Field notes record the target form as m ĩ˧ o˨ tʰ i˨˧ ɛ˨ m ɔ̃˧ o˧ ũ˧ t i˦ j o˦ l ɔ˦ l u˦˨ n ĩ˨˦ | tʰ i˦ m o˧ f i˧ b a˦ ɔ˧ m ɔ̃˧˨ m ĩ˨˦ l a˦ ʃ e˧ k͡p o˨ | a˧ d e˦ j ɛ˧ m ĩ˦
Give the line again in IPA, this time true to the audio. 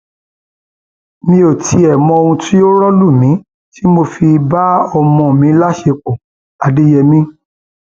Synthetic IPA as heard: m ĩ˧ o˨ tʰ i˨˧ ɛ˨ m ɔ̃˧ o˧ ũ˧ t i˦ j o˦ ɾ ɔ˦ l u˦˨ m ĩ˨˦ | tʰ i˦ m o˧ f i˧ b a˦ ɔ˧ m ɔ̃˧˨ m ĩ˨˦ l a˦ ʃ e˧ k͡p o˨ | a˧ d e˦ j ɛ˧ m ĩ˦

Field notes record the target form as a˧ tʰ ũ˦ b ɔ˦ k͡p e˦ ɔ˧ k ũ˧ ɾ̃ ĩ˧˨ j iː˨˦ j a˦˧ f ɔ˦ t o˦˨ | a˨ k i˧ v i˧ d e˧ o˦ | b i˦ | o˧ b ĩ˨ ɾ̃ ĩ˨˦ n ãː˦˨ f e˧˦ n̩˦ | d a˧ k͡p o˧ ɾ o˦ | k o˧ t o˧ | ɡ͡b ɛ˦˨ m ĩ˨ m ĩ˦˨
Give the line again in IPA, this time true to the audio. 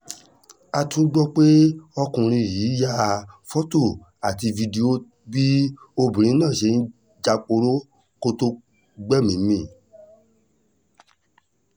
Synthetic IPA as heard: a˧ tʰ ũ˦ ɡ͡b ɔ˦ k͡p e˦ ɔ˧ k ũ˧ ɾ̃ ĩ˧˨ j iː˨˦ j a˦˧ f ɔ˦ t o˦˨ | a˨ t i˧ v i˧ d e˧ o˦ | b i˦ | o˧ b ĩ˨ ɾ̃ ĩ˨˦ n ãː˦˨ ʃ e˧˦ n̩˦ | d͡ʒ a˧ k͡p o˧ ɾ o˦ | k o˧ t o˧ | ɡ͡b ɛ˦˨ m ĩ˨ m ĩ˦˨

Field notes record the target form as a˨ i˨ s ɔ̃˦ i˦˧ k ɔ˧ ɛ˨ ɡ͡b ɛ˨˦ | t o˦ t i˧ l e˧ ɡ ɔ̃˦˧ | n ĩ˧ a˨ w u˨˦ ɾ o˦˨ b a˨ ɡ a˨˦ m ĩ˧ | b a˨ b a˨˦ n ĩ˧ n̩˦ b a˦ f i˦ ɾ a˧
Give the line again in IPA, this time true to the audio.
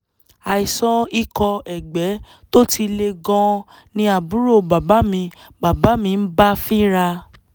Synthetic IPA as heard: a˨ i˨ s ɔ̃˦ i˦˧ k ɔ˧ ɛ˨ ɡ͡b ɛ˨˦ | t o˦ t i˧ l e˧ ɡ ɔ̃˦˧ | n ĩ˧ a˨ b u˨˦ ɾ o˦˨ b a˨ b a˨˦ m ĩ˧ | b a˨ b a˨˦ m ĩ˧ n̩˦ b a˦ f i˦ ɾ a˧

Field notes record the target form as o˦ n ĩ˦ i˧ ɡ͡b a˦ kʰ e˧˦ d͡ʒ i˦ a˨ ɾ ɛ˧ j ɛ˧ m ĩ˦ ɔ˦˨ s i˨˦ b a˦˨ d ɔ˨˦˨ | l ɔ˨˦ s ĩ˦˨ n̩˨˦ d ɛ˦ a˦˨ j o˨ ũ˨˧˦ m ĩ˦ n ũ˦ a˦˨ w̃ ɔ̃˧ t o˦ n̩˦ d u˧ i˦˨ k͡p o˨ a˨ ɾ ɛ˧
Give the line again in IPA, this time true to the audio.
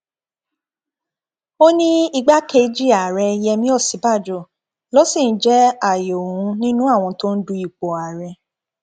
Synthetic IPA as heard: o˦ n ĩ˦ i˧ ɡ͡b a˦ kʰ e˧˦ d͡ʒ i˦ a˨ ɾ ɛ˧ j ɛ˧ m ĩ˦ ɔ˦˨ s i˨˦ b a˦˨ d͡ʒ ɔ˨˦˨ | l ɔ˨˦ s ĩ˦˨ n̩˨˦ d͡ʒ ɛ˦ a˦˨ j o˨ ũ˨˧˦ n ĩ˦ n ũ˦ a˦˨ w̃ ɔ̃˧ t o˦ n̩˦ d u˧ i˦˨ k͡p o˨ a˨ ɾ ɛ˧

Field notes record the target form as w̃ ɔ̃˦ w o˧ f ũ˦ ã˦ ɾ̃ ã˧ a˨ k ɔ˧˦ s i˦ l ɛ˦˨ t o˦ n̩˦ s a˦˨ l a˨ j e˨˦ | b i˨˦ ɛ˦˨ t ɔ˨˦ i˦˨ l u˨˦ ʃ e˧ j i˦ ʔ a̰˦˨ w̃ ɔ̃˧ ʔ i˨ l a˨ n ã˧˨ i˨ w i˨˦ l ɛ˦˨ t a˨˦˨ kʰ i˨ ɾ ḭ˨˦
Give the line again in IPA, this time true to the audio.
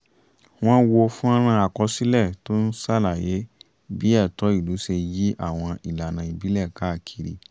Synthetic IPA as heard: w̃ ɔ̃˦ w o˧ f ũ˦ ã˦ ɾ̃ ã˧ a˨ k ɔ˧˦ s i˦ l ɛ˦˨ t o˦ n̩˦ s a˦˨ l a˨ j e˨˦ | b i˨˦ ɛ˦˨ t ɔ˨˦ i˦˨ l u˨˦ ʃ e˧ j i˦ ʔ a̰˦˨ w̃ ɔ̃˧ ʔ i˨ l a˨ n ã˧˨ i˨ b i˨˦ l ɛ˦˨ k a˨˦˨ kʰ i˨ ɾ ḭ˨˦

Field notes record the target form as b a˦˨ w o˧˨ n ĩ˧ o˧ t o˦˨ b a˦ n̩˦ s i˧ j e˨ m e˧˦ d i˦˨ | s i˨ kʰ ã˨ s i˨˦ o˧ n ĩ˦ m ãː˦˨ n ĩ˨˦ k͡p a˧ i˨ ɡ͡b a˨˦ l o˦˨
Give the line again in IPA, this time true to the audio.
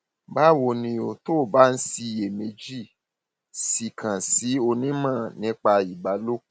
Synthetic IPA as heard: b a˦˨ w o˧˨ n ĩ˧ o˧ t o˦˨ b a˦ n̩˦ s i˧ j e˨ m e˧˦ d͡ʒ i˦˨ | s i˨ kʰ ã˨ s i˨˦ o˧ n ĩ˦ m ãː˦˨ n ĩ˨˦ k͡p a˧ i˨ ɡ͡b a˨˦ l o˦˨

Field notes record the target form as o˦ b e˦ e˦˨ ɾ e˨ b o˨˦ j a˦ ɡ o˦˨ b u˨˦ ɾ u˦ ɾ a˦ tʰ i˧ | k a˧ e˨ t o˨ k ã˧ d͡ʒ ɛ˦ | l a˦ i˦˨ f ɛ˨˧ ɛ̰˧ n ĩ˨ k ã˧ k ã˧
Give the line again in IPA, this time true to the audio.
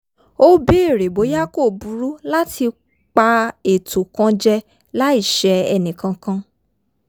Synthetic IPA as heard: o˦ b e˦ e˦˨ ɾ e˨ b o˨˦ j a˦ k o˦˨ b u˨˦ ɾ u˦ l a˦ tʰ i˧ | k͡p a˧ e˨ t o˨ k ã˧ d͡ʒ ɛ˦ | l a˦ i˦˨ ʃ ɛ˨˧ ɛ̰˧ n ĩ˨ k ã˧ k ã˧

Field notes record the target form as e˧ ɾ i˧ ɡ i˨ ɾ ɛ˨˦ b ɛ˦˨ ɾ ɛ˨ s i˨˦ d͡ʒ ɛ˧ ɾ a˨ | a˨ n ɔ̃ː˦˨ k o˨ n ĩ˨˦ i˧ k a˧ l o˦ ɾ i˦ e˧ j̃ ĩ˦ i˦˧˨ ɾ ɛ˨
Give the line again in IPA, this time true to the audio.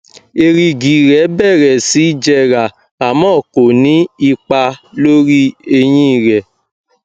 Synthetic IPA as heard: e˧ ɾ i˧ ɡ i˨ ɾ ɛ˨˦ b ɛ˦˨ ɾ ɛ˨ s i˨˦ d͡ʒ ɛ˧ ɾ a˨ | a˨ m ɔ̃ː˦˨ k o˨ n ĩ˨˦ i˧ k͡p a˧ l o˦ ɾ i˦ e˧ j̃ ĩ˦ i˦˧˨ ɾ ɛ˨

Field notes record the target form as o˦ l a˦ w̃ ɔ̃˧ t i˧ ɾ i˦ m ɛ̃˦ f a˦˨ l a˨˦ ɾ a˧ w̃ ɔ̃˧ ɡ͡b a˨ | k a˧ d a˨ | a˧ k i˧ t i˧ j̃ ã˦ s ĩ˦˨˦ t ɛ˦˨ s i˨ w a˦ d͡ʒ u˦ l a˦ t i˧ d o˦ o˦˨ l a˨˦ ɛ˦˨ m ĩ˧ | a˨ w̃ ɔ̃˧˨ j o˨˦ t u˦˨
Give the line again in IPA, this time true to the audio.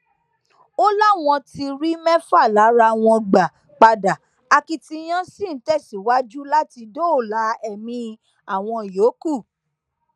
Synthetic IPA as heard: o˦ l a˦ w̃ ɔ̃˧ t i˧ ɾ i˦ m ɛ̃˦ f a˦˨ l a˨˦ ɾ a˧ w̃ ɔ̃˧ ɡ͡b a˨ | k͡p a˧ d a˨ | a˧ k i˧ t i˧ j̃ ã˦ s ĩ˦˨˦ t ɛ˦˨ s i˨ w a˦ d͡ʒ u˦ l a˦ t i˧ d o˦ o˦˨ l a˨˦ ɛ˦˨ m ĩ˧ | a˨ w̃ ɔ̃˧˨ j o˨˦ k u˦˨

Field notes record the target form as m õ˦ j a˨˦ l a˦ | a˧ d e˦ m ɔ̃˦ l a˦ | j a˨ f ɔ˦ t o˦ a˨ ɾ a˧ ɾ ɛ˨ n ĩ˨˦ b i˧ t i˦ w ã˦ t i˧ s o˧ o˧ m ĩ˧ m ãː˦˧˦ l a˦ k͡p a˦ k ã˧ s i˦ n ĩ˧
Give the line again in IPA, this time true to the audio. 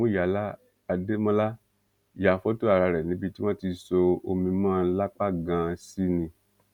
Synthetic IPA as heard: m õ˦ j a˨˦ l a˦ | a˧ d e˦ m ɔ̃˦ l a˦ | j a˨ f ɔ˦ t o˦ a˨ ɾ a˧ ɾ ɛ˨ n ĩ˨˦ b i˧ t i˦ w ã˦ t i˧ s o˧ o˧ m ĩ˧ m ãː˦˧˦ l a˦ k͡p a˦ ɡ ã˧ s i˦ n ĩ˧

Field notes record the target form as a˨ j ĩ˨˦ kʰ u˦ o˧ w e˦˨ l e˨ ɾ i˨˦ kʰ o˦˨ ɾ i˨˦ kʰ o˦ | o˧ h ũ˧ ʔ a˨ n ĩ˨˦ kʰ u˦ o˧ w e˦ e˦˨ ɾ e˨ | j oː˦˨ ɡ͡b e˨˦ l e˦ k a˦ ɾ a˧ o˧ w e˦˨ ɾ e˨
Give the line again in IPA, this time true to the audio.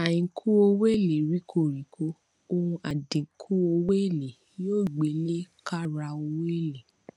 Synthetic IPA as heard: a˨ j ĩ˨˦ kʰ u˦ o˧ w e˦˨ l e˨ ɾ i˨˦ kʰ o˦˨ ɾ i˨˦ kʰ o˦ | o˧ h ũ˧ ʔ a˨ d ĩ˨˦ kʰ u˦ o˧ w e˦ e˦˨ l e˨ | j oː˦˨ ɡ͡b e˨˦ l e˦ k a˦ ɾ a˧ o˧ w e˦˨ l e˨

